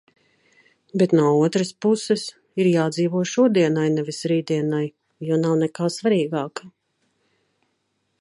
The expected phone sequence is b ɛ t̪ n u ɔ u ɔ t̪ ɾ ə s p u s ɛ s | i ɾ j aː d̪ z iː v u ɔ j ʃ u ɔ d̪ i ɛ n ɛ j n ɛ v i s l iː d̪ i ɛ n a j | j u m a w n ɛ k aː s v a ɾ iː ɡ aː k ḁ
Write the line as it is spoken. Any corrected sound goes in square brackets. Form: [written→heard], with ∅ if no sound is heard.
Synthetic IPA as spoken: b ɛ t̪ n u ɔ u ɔ t̪ ɾ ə s p u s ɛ s | i ɾ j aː d̪ z iː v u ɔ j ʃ u ɔ d̪ i ɛ n [ɛ→a] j n ɛ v i s [l→ɾ] iː d̪ i ɛ n a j | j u [m→n] a w n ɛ k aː s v a ɾ iː ɡ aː k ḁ